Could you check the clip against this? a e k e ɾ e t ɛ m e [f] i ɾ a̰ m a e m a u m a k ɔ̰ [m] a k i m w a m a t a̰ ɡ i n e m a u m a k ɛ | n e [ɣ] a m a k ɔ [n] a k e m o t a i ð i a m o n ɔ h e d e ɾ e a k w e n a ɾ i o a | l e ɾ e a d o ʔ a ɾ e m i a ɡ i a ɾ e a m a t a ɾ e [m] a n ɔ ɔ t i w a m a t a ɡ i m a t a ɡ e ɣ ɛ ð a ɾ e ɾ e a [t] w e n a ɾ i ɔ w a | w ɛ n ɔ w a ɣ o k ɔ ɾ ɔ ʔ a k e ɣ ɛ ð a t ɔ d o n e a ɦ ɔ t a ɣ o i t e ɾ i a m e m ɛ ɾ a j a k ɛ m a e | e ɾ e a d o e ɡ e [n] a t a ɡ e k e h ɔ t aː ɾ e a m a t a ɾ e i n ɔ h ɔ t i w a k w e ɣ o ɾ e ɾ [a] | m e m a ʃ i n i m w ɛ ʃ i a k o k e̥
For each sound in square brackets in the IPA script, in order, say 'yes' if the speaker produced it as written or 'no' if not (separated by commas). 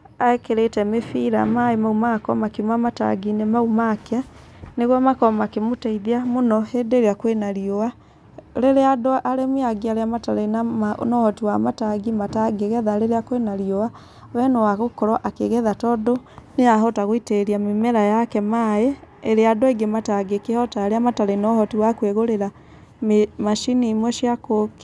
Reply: yes, yes, yes, no, no, no, no, yes